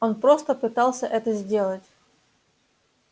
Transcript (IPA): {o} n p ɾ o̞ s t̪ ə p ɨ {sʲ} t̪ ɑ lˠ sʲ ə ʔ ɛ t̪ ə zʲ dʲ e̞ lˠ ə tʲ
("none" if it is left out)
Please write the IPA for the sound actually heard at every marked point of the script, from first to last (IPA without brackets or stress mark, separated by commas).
o, none